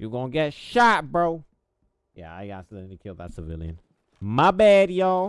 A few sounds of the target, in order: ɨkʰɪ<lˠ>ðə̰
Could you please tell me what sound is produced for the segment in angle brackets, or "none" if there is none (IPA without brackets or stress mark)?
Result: lˠ